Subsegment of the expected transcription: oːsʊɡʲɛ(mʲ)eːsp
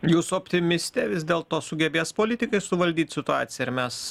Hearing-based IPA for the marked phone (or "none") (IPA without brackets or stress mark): bʲ